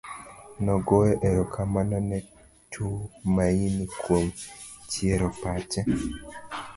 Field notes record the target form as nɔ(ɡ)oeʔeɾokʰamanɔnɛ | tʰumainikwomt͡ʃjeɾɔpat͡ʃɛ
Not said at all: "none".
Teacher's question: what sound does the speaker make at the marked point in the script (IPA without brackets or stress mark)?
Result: ɡ